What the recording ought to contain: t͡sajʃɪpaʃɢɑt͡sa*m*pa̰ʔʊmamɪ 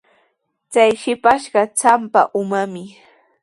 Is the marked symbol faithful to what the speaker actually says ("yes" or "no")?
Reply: yes